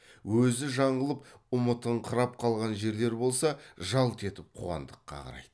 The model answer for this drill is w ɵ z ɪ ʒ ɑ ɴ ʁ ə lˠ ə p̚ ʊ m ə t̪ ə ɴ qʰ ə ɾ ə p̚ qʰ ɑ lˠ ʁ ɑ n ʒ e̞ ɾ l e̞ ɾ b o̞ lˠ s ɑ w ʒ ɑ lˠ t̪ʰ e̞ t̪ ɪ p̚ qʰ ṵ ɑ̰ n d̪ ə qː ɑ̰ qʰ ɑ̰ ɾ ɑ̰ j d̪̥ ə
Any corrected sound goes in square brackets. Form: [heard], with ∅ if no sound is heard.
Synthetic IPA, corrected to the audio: w ɵ z ɪ ʒ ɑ ɴ ʁ ə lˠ ə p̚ ʊ m ə t̪ ə ɴ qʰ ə ɾ [ɑ] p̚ qʰ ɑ lˠ ʁ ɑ n ʒ e̞ ɾ l e̞ ɾ b o̞ lˠ s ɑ [∅] ʒ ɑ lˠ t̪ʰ e̞ t̪ ɪ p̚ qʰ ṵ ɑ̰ n d̪ ə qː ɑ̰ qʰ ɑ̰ ɾ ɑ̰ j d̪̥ ə